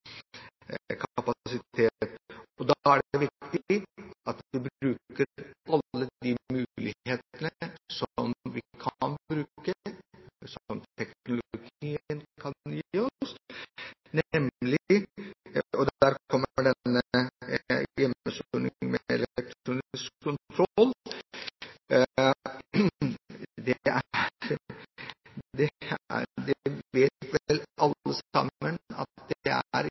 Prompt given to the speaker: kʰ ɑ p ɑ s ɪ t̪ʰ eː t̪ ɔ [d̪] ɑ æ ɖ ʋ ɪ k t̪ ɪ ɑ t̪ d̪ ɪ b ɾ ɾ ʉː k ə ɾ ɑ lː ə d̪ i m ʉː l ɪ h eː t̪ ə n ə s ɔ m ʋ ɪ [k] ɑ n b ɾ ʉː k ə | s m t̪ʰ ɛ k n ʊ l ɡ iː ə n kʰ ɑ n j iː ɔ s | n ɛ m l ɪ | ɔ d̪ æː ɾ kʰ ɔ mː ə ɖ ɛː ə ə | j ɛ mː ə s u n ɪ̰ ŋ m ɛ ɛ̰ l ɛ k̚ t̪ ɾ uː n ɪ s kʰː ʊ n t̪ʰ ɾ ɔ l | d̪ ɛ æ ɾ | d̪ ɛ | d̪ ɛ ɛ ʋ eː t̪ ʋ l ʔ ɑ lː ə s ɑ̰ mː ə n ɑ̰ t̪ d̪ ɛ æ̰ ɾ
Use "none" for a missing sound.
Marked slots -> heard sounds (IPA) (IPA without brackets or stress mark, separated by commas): d̪, kʰ